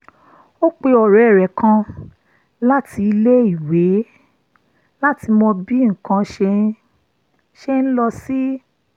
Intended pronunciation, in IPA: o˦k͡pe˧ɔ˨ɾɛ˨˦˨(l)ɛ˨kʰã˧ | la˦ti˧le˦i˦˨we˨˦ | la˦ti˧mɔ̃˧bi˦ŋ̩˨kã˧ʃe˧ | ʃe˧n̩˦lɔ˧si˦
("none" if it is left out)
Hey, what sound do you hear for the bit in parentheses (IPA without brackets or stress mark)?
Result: ɾ